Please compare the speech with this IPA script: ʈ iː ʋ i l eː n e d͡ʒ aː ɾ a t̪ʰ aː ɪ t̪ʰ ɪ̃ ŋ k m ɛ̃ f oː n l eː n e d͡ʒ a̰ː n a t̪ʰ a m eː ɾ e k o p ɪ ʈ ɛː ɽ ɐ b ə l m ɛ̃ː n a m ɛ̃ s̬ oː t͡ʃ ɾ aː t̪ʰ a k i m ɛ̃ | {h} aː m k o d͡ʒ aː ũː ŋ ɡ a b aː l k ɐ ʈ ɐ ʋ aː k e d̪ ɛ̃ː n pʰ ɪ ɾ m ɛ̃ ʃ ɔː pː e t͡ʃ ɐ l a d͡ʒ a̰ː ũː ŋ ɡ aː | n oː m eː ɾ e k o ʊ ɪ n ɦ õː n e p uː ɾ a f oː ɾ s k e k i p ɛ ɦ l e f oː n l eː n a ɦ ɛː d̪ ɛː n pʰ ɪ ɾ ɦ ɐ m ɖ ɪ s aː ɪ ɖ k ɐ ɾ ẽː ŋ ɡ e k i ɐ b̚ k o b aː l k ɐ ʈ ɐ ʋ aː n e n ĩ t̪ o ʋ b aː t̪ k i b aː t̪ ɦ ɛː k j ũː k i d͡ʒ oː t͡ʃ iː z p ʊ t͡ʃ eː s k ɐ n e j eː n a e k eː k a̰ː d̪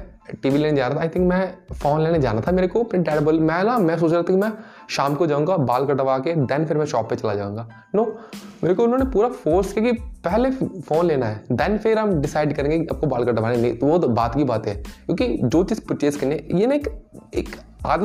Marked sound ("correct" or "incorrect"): incorrect